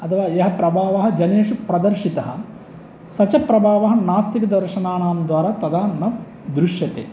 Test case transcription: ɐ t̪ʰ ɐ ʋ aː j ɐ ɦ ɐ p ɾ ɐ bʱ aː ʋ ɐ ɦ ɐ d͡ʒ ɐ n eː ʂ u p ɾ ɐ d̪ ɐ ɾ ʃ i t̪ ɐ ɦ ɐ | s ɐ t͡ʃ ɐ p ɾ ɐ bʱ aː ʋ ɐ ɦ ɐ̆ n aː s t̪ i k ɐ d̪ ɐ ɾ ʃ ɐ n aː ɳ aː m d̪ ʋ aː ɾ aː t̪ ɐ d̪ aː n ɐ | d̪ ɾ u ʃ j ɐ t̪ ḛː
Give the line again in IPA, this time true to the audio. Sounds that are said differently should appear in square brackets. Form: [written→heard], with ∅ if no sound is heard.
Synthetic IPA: ɐ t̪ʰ ɐ ʋ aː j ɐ ɦ ɐ p ɾ ɐ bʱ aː ʋ ɐ ɦ ɐ d͡ʒ ɐ n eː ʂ u p ɾ ɐ d̪ ɐ ɾ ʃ i t̪ ɐ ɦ ɐ | s ɐ t͡ʃ ɐ p ɾ ɐ bʱ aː ʋ ɐ ɦ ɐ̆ n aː s t̪ i k ɐ d̪ ɐ ɾ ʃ ɐ n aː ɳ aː m d̪ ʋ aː ɾ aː t̪ ɐ d̪ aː n ɐ | d̪ ɾ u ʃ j ɐ t̪ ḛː